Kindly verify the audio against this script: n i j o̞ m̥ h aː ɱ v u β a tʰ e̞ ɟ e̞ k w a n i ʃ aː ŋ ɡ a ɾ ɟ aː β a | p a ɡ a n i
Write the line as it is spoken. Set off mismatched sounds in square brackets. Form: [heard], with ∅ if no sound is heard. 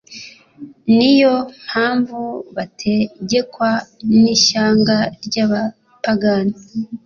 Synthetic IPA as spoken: n i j o̞ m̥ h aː ɱ v u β a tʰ e̞ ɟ e̞ k w a n i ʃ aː ŋ ɡ a ɾ ɟ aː β a | p a ɡ a n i